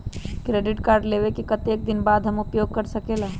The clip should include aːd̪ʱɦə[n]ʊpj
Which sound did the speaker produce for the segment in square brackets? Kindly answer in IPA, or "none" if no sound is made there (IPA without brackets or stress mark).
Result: m